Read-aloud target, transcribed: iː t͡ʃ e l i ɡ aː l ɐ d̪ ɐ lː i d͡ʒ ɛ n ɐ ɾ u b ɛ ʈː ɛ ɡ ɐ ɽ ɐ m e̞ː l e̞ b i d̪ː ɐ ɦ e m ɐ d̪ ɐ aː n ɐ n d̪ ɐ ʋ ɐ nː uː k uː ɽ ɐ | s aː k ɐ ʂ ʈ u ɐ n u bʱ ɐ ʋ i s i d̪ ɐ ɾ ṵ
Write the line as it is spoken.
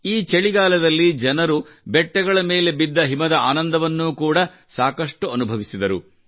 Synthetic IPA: iː t͡ʃ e ɭ i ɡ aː l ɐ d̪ ɐ lː i d͡ʒ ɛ n ɐ ɾ u b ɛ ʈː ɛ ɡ ɐ ɭ ɐ m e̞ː l e̞ b i d̪ː ɐ ɦ i m ɐ d̪ ɐ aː n ɐ n d̪ ɐ ʋ ɐ nː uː k uː ɽ ɐ | s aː k ɐ ʂ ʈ u ɐ n u bʱ ɐ ʋ i s i d̪ ɐ ɾ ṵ